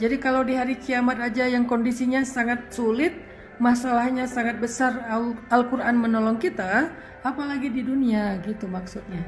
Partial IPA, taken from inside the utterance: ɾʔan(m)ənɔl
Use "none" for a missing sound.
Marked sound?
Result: m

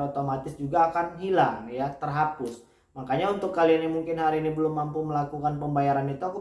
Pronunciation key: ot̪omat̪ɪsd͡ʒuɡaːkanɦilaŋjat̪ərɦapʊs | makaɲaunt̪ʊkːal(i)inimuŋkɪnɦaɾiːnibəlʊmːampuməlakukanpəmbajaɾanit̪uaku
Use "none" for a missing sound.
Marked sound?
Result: i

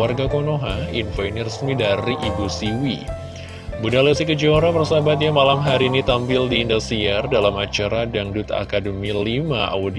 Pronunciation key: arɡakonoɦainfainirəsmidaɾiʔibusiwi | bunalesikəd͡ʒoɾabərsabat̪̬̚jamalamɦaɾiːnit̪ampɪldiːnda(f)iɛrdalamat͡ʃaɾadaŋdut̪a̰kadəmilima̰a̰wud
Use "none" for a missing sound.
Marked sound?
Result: s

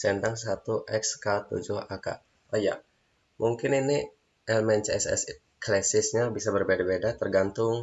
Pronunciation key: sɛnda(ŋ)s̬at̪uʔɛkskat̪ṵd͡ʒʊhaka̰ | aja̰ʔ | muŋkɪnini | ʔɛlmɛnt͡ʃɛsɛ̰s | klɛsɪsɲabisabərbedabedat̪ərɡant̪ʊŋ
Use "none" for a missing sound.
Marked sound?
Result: ŋ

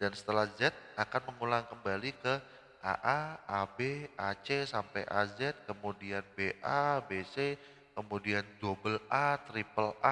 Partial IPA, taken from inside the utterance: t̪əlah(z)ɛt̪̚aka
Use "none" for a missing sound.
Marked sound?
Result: z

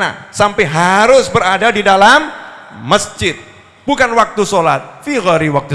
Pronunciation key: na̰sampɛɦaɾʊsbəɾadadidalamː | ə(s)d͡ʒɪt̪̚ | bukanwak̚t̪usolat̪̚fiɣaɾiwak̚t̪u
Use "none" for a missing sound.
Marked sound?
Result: s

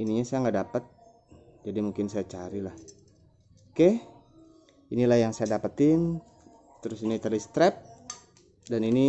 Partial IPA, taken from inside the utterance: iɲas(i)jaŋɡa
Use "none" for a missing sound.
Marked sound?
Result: a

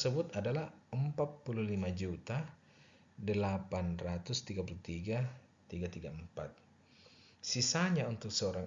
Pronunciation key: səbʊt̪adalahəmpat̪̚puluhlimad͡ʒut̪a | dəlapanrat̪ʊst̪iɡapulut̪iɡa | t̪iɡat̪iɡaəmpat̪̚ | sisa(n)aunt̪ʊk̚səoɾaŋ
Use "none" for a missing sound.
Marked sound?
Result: ɲ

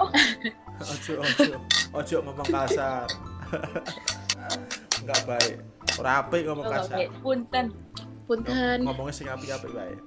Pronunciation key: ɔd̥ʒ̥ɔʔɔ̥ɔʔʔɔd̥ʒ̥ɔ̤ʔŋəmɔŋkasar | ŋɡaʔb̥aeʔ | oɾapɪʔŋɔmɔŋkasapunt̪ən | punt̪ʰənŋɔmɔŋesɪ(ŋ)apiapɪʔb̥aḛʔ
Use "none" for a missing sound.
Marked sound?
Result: ŋ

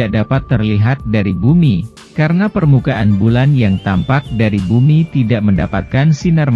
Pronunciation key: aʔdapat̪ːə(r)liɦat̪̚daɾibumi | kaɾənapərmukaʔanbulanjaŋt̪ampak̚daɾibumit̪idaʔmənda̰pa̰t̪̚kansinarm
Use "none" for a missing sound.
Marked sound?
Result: r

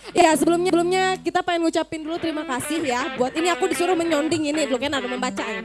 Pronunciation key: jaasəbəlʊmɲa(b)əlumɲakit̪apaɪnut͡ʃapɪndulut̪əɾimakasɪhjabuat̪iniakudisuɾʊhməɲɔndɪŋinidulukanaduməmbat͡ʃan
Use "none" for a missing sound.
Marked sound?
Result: b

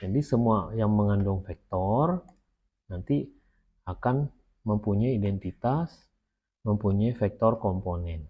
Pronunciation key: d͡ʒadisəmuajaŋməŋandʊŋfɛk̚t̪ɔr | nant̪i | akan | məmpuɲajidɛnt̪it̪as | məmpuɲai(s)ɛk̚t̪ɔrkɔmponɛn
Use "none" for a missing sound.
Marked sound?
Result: f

